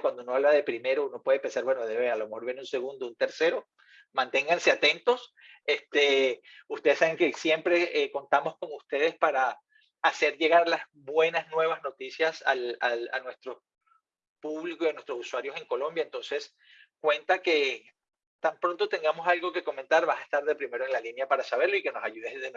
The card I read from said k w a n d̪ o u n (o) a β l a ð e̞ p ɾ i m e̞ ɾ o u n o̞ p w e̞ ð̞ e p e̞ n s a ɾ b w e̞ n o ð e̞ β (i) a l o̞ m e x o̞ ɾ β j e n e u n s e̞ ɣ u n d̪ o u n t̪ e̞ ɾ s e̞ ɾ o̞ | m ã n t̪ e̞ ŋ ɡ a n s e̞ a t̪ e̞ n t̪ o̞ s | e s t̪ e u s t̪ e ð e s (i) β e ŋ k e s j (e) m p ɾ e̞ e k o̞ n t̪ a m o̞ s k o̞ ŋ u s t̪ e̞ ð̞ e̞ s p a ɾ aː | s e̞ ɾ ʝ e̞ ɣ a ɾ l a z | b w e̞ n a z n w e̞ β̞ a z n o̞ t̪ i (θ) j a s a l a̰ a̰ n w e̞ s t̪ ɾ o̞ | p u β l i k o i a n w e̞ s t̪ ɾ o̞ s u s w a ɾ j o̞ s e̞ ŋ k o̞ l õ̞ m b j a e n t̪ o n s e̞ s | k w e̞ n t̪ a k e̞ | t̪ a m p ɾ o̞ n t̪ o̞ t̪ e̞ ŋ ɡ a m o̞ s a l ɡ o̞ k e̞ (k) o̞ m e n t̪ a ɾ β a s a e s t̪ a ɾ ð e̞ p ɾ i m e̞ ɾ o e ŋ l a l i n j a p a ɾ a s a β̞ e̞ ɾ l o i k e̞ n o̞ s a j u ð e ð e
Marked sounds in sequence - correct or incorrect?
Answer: correct, incorrect, incorrect, correct, incorrect, correct

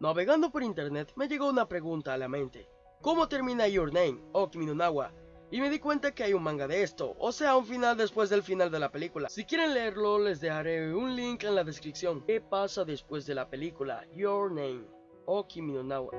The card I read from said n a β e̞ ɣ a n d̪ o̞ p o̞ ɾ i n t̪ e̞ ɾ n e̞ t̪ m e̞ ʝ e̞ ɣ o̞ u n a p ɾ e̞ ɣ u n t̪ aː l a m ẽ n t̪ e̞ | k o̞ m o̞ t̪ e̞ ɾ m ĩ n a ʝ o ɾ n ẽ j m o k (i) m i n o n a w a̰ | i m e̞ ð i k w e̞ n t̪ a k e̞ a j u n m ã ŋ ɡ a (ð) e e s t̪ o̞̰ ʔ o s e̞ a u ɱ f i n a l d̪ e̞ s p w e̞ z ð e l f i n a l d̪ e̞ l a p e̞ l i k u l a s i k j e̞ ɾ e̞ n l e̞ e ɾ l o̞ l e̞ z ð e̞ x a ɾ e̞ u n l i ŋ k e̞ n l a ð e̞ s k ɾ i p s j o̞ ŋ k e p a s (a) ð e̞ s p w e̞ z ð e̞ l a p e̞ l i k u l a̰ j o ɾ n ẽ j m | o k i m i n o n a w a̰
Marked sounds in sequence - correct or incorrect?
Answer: correct, correct, correct

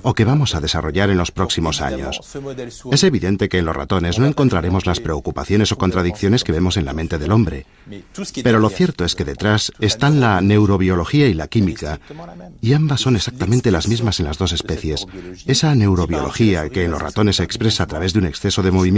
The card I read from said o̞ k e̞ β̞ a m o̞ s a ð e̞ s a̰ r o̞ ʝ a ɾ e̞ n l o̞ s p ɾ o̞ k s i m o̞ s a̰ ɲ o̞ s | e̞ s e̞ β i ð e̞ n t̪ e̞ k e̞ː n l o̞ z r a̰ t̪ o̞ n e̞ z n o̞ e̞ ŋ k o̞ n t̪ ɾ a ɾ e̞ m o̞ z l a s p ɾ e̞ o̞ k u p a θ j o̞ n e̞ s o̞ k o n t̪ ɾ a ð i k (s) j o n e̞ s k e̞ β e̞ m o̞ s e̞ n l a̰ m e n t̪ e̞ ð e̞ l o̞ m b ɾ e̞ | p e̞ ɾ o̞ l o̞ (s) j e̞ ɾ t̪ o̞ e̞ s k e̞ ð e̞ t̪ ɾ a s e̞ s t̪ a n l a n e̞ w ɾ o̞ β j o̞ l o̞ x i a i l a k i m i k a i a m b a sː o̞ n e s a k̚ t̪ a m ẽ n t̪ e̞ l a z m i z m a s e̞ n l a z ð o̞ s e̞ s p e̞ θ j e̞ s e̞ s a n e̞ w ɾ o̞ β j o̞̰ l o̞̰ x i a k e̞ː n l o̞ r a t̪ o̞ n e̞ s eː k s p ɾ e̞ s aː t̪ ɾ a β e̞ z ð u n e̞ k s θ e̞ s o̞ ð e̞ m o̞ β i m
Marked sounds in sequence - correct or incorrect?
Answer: incorrect, incorrect

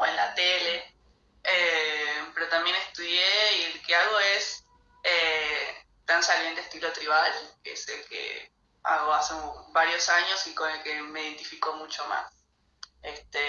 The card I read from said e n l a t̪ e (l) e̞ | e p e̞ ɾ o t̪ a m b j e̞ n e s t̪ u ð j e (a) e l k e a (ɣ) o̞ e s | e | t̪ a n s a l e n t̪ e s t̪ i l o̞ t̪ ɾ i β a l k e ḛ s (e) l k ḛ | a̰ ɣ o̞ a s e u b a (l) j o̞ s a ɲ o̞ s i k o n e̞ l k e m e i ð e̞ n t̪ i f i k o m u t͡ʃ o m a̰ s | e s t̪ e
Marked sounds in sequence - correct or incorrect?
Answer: correct, incorrect, correct, correct, incorrect

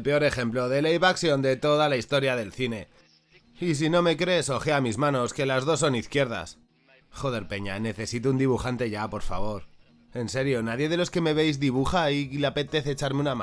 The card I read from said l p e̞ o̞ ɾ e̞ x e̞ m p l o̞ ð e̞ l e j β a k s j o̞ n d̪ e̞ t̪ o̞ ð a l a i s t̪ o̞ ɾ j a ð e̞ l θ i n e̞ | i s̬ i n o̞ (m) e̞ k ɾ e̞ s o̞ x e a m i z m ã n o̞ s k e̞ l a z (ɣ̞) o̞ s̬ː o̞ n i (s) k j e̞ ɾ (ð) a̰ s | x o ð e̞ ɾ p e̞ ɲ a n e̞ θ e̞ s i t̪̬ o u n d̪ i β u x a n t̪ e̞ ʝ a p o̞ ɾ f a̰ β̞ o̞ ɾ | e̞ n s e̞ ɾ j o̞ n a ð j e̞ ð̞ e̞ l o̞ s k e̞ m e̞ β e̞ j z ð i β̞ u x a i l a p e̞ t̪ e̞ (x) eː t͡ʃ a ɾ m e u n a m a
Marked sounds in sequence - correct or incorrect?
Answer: correct, incorrect, incorrect, correct, incorrect

